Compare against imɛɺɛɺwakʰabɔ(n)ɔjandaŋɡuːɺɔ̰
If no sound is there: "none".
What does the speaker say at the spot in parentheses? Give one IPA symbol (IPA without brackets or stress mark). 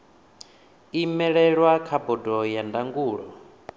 d